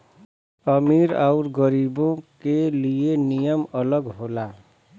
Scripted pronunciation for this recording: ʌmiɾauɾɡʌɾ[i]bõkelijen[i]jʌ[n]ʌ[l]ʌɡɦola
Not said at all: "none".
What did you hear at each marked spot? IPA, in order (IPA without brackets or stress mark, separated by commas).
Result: i, i, m, l